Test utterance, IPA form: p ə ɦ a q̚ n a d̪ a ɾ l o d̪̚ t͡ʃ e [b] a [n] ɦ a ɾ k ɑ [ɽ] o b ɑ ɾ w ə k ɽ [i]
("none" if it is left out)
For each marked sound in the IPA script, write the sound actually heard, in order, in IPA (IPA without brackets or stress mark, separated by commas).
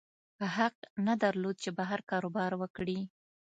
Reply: b, none, ɾ, i